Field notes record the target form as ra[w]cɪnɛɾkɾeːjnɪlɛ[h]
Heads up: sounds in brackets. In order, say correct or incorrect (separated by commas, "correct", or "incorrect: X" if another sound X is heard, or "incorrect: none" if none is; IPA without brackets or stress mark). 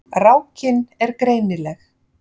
correct, incorrect: x